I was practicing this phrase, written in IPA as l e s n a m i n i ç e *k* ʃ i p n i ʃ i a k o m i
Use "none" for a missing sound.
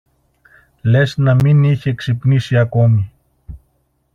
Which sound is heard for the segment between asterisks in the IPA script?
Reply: k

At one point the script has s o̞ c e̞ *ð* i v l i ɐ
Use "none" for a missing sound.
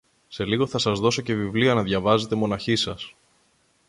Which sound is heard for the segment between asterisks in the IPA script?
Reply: v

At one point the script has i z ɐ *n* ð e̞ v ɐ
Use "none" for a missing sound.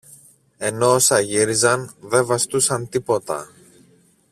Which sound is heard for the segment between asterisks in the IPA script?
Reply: n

